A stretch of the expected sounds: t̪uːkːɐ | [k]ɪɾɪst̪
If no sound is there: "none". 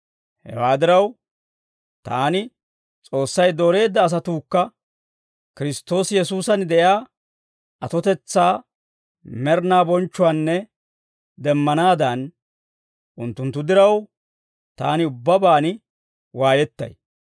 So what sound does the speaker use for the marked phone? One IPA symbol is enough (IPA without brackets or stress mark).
k